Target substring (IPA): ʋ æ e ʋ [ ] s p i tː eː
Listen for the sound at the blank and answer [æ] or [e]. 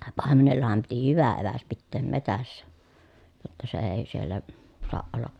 æ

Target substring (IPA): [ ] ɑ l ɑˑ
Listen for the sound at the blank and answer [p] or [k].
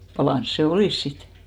p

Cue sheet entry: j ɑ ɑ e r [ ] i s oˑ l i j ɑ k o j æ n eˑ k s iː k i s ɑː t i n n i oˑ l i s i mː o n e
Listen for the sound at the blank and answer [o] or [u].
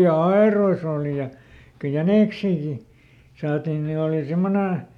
o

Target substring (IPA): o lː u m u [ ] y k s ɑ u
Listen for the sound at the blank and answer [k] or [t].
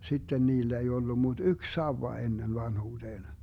t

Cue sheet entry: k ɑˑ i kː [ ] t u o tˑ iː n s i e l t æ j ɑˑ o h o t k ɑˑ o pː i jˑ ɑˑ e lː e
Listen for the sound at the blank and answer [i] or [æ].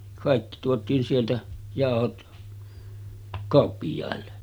i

